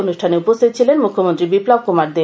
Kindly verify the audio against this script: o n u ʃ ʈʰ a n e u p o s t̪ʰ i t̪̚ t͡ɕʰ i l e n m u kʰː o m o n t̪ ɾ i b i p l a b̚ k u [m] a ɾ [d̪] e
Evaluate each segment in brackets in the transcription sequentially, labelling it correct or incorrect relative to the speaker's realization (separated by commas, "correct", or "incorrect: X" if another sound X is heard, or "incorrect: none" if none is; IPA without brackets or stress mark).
correct, correct